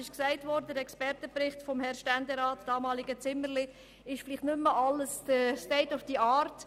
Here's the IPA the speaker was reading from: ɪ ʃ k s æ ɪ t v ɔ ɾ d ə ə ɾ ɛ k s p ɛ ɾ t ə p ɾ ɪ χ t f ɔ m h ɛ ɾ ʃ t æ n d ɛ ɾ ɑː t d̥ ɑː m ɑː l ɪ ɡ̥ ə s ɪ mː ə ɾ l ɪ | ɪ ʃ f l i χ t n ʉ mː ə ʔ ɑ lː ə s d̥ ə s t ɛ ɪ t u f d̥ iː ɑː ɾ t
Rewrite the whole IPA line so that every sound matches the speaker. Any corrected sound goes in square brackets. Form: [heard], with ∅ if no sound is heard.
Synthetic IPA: ɪ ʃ k s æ ɪ t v ɔ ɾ d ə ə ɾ ɛ k s p ɛ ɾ t ə p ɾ ɪ χ t f ɔ m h ɛ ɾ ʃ t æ n d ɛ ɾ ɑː t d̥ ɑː m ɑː l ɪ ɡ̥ ə [t͡s] ɪ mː ə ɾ l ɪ | ɪ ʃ f l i χ t n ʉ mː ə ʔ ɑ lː ə s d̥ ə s t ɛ ɪ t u f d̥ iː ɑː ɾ t